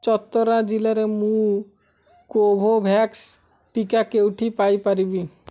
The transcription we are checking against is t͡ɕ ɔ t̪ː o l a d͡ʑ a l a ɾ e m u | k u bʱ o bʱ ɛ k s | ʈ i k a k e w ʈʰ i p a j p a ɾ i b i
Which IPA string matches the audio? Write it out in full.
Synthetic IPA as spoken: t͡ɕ ɔ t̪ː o ɾ a d͡ʑ i l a ɾ e m u | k o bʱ o bʱ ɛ k s | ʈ i k a k e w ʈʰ i p a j p a ɾ i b i